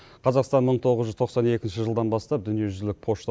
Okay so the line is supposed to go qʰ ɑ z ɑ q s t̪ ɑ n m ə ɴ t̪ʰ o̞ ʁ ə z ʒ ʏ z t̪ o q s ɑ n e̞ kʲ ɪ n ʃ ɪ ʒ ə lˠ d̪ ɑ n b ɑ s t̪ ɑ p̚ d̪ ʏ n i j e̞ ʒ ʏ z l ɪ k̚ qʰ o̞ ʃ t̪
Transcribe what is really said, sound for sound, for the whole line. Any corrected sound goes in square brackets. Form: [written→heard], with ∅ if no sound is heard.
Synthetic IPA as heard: qʰ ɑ z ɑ q s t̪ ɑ n m ə ɴ t̪ʰ o̞ ʁ ə z ʒ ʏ z [t̪→t̪ʰ] o q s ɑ n e̞ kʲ ɪ n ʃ ɪ ʒ ə lˠ d̪ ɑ n b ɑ s t̪ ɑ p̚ d̪ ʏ n i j e̞ ʒ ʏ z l ɪ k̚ [qʰ→pʰ] o̞ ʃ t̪